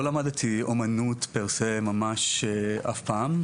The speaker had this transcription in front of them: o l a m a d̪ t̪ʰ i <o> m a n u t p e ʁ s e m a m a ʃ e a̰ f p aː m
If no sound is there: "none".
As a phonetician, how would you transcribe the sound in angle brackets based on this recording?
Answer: o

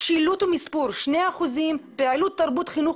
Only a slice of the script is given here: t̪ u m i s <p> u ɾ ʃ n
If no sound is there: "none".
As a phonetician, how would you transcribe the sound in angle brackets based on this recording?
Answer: p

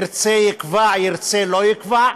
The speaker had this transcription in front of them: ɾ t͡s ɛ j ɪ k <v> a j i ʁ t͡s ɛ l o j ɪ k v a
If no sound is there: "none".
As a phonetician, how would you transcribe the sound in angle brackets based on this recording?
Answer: v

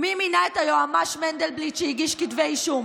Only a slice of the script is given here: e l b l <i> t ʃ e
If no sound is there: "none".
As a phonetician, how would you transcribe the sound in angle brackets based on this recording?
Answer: i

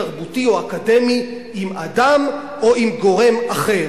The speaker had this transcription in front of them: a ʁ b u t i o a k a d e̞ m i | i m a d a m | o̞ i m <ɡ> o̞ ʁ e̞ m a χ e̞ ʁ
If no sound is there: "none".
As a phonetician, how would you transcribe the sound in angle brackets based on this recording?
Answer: ɡ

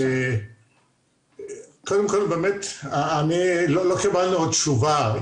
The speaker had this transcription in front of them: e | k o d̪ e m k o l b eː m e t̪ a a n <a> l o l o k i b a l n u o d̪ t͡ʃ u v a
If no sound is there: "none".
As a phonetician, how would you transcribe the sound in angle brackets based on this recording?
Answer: i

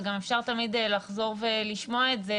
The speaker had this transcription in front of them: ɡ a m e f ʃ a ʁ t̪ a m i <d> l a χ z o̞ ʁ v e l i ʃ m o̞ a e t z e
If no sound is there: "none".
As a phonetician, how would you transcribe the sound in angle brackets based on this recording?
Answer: d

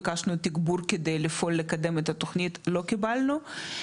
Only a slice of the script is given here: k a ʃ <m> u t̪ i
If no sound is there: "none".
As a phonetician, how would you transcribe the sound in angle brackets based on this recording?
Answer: n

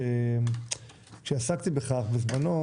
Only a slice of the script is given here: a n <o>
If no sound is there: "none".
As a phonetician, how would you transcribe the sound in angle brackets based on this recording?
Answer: o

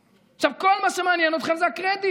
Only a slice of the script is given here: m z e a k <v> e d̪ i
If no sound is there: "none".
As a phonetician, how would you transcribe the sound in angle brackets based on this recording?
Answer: ʁ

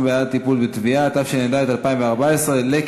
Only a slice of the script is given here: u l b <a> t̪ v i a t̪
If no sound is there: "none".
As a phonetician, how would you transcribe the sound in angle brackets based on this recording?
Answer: e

